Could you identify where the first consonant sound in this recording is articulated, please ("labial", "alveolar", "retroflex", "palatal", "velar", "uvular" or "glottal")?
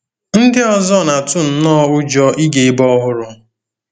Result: alveolar